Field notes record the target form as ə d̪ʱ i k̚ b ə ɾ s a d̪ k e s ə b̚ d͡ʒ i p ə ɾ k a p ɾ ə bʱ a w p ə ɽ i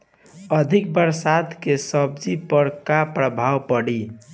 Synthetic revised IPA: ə d̪ʱ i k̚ b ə ɾ s a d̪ k e s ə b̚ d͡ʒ i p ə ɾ k a p ɾ ə bʱ a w p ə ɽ i